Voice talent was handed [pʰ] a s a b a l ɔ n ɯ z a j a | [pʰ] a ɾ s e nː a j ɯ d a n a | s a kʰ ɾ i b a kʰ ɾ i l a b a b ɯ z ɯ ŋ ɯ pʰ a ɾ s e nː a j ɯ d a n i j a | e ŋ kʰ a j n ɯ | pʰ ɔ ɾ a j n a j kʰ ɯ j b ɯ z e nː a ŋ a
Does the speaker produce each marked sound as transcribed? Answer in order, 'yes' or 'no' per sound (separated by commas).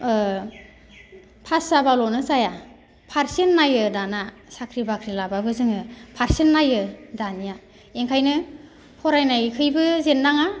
yes, yes